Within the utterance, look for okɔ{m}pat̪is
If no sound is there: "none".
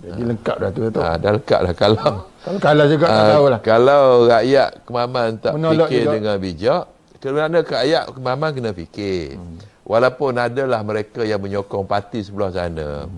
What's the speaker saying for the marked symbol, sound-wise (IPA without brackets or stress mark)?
ŋ